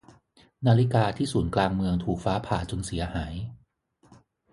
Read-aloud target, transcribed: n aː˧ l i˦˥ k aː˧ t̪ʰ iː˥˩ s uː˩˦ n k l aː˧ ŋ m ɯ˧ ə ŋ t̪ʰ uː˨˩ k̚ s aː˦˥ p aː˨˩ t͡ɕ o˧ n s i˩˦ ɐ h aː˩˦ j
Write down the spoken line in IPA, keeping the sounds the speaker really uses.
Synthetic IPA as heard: n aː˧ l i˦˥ k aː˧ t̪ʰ iː˥˩ s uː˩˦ n k l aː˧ ŋ m ɯ˧ ə ŋ t̪ʰ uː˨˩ k̚ f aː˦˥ pʰ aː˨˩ t͡ɕ o˧ n s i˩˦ ɐ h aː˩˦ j

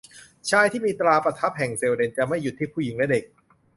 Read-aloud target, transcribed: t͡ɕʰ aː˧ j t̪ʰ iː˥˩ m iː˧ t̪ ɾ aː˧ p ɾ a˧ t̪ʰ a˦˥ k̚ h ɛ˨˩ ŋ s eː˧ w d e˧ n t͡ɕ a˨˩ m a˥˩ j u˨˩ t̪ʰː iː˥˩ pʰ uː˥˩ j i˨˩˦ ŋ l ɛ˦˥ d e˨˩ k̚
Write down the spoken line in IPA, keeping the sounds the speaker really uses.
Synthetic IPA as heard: t͡ɕʰ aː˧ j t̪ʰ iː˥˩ m iː˧ t̪ ɾ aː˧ p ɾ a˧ t̪ʰ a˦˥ p̚ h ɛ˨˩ ŋ s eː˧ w d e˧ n t͡ɕ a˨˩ m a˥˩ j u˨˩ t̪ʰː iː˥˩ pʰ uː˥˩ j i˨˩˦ ŋ l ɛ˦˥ d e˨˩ k̚

